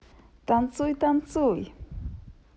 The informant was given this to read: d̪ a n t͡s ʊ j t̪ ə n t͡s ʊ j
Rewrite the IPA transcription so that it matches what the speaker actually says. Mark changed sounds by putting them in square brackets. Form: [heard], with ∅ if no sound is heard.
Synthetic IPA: [t̪] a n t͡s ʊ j t̪ [a] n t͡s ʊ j